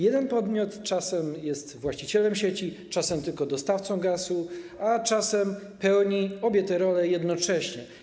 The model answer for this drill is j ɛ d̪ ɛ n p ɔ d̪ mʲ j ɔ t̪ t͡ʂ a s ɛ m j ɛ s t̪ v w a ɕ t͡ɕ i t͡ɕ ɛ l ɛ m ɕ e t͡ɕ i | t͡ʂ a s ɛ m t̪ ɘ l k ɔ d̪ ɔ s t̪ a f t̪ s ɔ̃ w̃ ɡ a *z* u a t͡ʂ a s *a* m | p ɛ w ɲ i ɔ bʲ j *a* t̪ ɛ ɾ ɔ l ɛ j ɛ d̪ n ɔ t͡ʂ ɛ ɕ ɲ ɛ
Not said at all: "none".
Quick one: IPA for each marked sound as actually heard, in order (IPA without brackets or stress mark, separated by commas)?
s, ɛ, ɛ